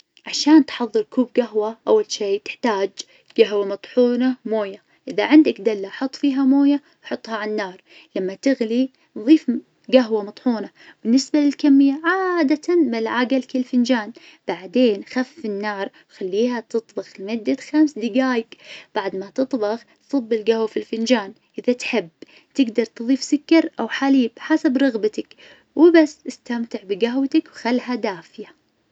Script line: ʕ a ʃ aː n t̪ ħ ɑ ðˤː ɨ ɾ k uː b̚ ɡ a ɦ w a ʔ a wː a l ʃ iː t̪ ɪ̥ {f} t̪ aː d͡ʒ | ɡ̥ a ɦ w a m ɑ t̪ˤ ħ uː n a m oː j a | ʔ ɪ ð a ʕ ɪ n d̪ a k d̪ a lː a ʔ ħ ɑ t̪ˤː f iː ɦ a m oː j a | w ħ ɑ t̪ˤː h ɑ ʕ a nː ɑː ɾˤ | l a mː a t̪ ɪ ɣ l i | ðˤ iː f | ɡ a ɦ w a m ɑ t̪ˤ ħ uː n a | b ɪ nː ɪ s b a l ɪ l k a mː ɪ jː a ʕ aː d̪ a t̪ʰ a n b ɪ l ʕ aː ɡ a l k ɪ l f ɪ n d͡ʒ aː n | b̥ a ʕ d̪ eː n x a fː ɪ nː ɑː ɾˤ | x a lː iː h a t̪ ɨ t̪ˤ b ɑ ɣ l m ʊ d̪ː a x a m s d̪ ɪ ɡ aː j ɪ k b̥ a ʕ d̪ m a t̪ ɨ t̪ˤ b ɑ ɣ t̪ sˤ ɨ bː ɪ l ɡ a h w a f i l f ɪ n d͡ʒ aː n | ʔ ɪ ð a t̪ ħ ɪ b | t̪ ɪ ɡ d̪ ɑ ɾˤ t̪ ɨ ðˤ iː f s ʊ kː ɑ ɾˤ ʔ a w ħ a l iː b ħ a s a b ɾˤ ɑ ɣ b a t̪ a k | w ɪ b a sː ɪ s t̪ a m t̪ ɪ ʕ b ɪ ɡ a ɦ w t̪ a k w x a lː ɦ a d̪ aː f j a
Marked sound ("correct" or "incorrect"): incorrect